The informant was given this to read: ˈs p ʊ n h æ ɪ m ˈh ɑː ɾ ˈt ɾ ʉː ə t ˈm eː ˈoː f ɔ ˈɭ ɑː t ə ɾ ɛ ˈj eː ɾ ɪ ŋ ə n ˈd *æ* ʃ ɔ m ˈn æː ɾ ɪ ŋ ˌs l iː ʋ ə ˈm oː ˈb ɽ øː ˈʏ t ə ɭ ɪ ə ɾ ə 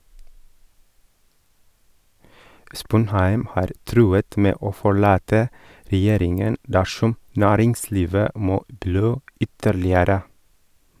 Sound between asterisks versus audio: correct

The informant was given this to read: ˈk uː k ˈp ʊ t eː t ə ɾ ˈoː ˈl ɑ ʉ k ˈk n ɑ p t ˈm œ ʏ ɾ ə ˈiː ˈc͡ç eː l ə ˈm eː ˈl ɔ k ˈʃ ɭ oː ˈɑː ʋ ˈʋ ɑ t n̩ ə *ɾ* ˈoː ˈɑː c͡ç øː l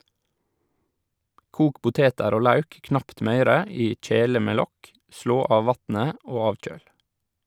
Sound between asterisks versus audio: incorrect: none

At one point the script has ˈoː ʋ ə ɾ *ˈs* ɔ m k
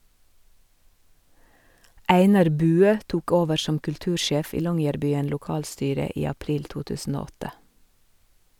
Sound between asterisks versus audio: incorrect: ʃ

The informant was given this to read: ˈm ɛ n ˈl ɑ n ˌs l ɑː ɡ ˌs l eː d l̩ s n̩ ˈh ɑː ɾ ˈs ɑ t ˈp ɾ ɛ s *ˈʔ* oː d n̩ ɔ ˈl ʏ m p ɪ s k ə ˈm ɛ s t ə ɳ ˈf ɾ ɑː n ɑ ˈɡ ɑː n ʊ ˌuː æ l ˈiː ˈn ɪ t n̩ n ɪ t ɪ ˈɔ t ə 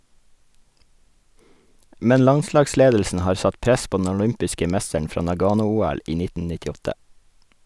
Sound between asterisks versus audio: incorrect: p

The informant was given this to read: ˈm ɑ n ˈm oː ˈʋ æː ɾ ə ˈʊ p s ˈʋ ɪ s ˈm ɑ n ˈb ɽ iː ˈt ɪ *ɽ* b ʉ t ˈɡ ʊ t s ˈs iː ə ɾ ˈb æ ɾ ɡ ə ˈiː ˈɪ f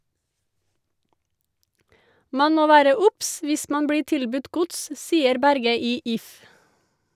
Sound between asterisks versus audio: incorrect: l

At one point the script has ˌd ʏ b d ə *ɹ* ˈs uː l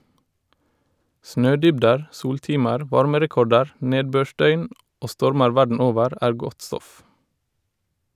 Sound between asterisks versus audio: correct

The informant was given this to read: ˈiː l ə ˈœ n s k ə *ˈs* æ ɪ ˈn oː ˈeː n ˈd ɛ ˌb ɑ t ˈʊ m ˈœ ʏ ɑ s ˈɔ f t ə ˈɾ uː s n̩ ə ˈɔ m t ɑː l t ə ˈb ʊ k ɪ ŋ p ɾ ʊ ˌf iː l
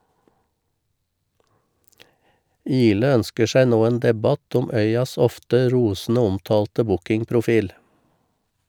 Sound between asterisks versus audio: incorrect: ʃ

